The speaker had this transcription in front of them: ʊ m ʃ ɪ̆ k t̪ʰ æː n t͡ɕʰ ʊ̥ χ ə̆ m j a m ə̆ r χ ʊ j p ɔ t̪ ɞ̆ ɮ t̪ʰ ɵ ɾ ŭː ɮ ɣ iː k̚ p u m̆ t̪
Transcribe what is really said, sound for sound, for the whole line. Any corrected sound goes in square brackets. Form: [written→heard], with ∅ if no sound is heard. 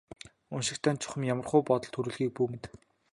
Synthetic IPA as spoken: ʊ [m→n] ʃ ɪ̆ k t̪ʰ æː n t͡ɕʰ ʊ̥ χ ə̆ m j a m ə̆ r χ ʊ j p ɔ t̪ ɞ̆ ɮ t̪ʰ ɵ ɾ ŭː ɮ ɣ iː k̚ p u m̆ t̪